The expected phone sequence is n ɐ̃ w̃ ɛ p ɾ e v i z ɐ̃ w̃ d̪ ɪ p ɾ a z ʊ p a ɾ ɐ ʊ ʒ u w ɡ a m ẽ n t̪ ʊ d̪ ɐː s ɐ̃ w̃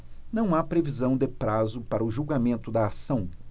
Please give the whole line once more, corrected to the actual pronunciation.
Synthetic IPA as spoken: n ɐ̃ w̃ a p ɾ e v i z ɐ̃ w̃ d̪ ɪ p ɾ a z ʊ p a ɾ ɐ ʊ ʒ u w ɡ a m ẽ n t̪ ʊ d̪ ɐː s ɐ̃ w̃